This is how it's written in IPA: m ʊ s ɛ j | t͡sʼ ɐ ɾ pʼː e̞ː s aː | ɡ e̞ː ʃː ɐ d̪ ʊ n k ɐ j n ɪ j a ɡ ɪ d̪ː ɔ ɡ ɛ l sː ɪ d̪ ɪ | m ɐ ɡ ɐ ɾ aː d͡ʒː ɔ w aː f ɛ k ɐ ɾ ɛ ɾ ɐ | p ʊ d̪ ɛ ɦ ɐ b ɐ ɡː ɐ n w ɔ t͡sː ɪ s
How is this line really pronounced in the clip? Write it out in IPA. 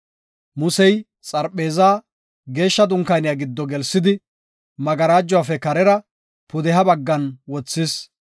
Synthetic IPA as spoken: m ʊ s ɛ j | t͡sʼ ɐ ɾ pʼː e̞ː z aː | ɡ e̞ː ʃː ɐ d̪ ʊ ŋ k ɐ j n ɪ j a ɡ ɪ d̪ː ɔ ɡ ɛ l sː ɪ d̪ ɪ | m ɐ ɡ ɐ ɾ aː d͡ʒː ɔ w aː f ɛ k ɐ ɾ ɛ ɾ ɐ | p ʊ d̪ ɛ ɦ ɐ b ɐ ɡː ɐ n w ɔ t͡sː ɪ s